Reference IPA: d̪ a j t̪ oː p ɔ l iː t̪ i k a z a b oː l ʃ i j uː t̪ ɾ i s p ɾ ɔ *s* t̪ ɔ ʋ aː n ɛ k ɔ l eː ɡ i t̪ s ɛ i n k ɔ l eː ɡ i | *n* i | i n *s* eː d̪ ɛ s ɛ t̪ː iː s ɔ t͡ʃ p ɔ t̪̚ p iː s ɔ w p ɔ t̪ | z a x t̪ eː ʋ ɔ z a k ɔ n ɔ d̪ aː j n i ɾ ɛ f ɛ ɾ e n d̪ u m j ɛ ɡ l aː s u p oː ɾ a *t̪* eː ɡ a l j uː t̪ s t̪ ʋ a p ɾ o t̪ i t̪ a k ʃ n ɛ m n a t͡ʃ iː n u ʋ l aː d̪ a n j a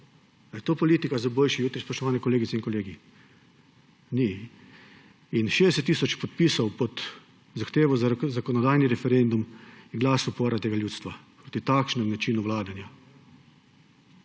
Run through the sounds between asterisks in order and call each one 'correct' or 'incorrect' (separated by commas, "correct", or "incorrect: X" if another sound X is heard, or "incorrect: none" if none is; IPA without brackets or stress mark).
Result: incorrect: ʃ, correct, incorrect: ʃ, correct